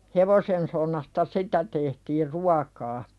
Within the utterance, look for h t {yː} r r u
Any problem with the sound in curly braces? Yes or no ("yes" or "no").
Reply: yes